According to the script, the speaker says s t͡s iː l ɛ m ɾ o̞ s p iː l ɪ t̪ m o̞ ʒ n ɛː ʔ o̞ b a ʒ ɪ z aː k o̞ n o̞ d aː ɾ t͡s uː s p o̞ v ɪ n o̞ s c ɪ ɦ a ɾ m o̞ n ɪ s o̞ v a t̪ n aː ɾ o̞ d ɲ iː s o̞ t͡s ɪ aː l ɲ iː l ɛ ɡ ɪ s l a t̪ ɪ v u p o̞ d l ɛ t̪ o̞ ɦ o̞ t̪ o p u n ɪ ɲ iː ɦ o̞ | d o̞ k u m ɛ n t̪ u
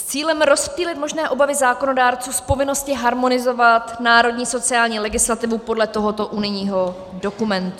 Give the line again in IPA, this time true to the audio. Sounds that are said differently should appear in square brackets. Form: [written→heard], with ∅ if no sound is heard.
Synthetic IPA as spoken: s t͡s iː l ɛ m ɾ o̞ s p iː l ɪ t̪ m o̞ ʒ n ɛː ʔ o̞ b a [ʒ→v] ɪ z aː k o̞ n o̞ d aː ɾ t͡s uː s p o̞ v ɪ n o̞ s c ɪ ɦ a ɾ m o̞ n ɪ [s→z] o̞ v a t̪ n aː ɾ o̞ d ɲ iː s o̞ t͡s ɪ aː l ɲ iː l ɛ ɡ ɪ s l a t̪ ɪ v u p o̞ d l ɛ t̪ o̞ ɦ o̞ t̪ o [p→ʔ] u n ɪ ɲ iː ɦ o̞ | d o̞ k u m ɛ n t̪ u

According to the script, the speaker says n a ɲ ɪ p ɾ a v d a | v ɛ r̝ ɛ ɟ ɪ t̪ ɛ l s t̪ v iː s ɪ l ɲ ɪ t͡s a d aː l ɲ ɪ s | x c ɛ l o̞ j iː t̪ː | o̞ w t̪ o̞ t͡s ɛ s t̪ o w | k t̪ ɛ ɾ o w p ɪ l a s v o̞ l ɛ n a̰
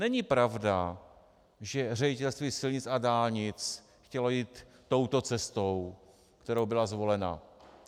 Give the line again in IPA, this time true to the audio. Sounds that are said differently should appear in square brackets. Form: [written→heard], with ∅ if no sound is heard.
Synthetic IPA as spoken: n [a→ɛ] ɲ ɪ p ɾ a v d a | [v→ʒ] ɛ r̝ ɛ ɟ ɪ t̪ ɛ l s t̪ v iː s ɪ l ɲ ɪ t͡s a d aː l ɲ ɪ [s→t͡s] | x c ɛ l o̞ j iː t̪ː | o̞ w t̪ o̞ t͡s ɛ s t̪ o w | k t̪ ɛ ɾ o w [p→b] ɪ l a [s→z] v o̞ l ɛ n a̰

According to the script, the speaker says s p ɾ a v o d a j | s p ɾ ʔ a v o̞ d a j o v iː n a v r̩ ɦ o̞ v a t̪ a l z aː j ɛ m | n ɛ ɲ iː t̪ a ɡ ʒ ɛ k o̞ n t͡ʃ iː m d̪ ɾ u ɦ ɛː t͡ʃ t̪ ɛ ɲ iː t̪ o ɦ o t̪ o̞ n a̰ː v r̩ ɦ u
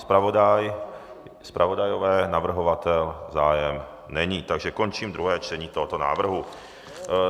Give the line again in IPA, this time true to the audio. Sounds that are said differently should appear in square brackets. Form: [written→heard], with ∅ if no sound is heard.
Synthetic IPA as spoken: s p ɾ a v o d a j | s p ɾ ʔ a v o̞ d a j o v [iː→ɛː] n a v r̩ ɦ o̞ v a t̪ [a→ɛ] l z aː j ɛ m | n ɛ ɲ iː t̪ a ɡ ʒ ɛ k o̞ n t͡ʃ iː m d̪ ɾ u ɦ ɛː t͡ʃ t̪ ɛ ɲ iː t̪ o ɦ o t̪ o̞ n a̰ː v r̩ ɦ u

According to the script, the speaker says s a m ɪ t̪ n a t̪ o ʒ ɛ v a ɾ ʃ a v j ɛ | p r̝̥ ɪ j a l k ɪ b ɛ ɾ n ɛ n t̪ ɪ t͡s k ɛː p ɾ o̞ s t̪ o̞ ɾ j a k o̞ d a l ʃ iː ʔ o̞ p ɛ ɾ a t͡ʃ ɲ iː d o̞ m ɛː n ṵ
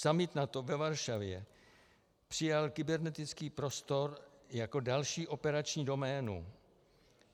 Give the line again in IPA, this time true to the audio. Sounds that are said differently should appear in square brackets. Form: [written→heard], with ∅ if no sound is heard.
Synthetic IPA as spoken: s a m ɪ t̪ n a t̪ o [ʒ→v] ɛ v a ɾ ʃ a v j ɛ | p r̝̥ ɪ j a l k ɪ b ɛ ɾ n ɛ [n→∅] t̪ ɪ t͡s k [ɛː→iː] p ɾ o̞ s t̪ o̞ ɾ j a k o̞ d a l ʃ iː ʔ o̞ p ɛ ɾ a t͡ʃ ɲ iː d o̞ m ɛː n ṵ

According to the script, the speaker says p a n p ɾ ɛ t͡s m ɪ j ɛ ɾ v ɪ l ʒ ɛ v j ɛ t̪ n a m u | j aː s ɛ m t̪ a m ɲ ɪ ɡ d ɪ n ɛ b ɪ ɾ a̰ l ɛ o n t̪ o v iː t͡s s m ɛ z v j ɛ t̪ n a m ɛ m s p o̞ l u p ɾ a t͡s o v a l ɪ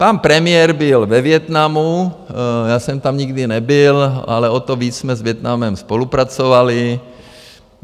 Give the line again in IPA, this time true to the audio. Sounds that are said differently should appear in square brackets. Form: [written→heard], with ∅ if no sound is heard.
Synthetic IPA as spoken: p a n p ɾ ɛ [t͡s→∅] m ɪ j ɛ ɾ [v→b] ɪ l [ʒ→v] ɛ v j ɛ t̪ n a m u | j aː s ɛ m t̪ a m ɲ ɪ ɡ d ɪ n ɛ b ɪ [ɾ→l] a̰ l ɛ o [n→∅] t̪ o v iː t͡s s m ɛ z v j ɛ t̪ n a m ɛ m s p o̞ l u p ɾ a t͡s o v a l ɪ

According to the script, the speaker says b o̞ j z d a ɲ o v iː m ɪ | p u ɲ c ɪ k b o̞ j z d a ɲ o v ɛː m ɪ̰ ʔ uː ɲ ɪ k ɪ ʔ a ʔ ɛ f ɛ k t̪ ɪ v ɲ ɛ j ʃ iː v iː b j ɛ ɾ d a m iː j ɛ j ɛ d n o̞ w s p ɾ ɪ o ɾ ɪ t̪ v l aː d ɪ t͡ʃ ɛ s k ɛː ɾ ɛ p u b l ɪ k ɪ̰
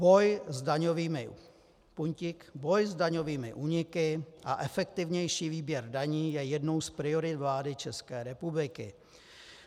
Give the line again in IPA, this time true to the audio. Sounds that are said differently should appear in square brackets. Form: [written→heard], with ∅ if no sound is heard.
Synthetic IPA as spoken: b o̞ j z d a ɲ o v iː m ɪ | p u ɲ c ɪ k b o̞ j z d a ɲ o v [ɛː→iː] m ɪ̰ ʔ uː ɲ ɪ k ɪ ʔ a ʔ ɛ f ɛ k t̪ ɪ v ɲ ɛ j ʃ iː v iː b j ɛ ɾ d a [m→ɲ] iː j ɛ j ɛ d n o̞ w s p ɾ ɪ o ɾ ɪ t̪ v l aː d ɪ t͡ʃ ɛ s k ɛː ɾ ɛ p u b l ɪ k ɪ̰

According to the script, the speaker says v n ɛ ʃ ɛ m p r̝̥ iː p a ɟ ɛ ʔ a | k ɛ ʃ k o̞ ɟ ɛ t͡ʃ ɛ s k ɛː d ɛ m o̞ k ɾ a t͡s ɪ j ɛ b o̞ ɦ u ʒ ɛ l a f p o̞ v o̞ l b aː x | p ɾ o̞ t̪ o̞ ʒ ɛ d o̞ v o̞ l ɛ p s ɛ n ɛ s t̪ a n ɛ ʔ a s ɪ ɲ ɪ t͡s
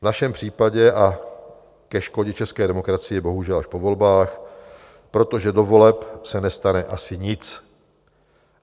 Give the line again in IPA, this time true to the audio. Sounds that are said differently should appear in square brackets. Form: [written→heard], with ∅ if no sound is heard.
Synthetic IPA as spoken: v n [ɛ→a] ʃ ɛ m p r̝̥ iː p a ɟ ɛ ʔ a | k ɛ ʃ k o̞ ɟ ɛ t͡ʃ ɛ s k ɛː d ɛ m o̞ k ɾ a t͡s ɪ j ɛ b o̞ ɦ u ʒ ɛ l a [f→ʃ] p o̞ v o̞ l b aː x | p ɾ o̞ t̪ o̞ ʒ ɛ d o̞ v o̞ l ɛ p s ɛ n ɛ s t̪ a n ɛ ʔ a s ɪ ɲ ɪ t͡s

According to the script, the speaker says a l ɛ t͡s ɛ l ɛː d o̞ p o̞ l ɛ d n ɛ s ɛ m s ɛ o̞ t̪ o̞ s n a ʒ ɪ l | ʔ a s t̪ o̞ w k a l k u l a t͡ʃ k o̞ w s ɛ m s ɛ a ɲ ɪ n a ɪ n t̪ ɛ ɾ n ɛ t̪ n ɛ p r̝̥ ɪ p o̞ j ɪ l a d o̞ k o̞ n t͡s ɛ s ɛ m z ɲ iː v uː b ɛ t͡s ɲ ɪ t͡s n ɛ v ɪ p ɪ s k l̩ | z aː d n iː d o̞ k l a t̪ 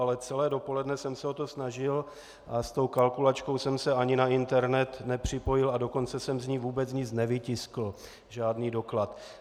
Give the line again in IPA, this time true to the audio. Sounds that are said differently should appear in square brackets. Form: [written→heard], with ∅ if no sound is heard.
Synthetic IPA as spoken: a l ɛ t͡s ɛ l ɛː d o̞ p o̞ l ɛ d n ɛ s ɛ m s ɛ o̞ t̪ o̞ s n a ʒ ɪ l | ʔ a s t̪ o̞ w k a l k u l a t͡ʃ k o̞ w s ɛ m s ɛ a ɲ ɪ n a ɪ n t̪ ɛ ɾ n ɛ t̪ n ɛ p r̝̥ ɪ p o̞ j ɪ l a d o̞ k o̞ n t͡s ɛ s ɛ m z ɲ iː v uː b ɛ t͡s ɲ ɪ t͡s n ɛ v ɪ [p→c] ɪ s k l̩ | [z→ʒ] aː d n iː d o̞ k l a t̪

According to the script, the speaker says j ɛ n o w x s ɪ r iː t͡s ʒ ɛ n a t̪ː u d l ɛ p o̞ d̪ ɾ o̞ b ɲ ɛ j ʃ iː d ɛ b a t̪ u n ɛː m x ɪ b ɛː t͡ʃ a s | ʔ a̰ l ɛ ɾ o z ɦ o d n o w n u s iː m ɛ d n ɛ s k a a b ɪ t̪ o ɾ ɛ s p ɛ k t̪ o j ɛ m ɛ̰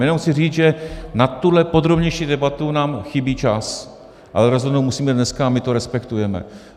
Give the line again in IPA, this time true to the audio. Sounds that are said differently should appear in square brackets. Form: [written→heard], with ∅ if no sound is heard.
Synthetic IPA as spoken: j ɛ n o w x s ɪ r iː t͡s ʒ ɛ n a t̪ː u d l ɛ p o̞ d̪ ɾ o̞ b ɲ ɛ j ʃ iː d ɛ b a t̪ u n [ɛː→aː] m x ɪ b [ɛː→iː] t͡ʃ a s | ʔ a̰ l ɛ ɾ o z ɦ o d n o w [n→m] u s iː m ɛ d n ɛ s k a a [b→m] ɪ t̪ o ɾ ɛ s p ɛ k t̪ [o→u] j ɛ m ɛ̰

